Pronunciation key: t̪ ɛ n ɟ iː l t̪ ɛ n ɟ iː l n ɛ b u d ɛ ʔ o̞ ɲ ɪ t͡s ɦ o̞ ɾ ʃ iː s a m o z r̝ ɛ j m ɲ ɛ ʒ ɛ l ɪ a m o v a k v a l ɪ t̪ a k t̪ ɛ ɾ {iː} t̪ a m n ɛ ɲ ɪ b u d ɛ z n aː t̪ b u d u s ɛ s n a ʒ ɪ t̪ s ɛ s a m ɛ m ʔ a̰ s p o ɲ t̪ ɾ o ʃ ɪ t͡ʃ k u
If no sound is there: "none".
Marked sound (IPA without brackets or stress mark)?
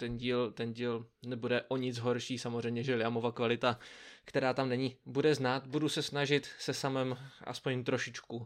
aː